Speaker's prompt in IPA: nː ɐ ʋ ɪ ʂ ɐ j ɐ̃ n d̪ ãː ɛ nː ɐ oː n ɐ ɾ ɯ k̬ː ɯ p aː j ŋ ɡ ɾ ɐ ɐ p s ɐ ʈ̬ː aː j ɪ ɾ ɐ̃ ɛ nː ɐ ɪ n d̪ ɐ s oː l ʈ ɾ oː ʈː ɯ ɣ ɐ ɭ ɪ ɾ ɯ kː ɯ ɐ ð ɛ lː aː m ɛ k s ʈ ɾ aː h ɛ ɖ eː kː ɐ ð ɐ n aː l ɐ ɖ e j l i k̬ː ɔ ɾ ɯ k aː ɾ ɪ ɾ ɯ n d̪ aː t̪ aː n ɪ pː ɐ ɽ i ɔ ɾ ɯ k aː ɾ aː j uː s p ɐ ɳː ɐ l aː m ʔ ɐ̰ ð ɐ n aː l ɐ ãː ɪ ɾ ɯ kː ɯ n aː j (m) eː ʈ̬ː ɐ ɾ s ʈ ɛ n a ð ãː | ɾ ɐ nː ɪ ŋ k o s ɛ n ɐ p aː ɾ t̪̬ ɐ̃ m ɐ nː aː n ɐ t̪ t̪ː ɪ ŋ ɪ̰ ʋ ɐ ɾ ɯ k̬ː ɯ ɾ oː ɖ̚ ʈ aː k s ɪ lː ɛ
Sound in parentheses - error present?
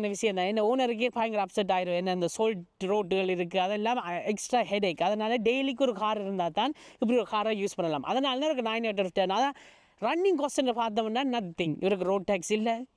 yes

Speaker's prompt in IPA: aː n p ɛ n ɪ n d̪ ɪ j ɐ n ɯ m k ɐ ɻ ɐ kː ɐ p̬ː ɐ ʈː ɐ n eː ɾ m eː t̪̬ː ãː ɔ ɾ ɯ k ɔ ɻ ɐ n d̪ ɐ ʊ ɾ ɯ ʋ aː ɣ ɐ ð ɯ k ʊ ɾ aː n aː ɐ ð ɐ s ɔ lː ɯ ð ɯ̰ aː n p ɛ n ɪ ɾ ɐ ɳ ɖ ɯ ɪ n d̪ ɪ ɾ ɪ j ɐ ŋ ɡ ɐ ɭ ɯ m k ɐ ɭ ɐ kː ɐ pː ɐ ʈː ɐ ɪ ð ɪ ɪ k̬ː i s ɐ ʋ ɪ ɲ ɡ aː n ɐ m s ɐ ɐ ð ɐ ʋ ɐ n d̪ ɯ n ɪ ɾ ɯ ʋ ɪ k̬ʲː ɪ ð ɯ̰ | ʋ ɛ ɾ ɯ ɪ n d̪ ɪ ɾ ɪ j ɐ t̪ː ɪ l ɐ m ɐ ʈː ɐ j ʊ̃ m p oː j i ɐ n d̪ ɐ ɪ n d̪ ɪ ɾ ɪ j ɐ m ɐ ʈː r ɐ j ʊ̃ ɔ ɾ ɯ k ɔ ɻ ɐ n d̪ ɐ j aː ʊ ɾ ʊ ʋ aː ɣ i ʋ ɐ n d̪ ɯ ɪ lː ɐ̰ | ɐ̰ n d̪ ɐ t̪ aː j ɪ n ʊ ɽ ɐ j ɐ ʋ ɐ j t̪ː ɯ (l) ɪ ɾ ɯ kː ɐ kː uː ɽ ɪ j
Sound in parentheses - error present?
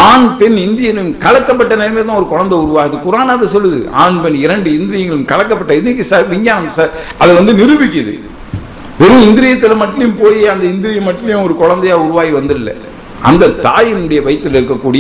no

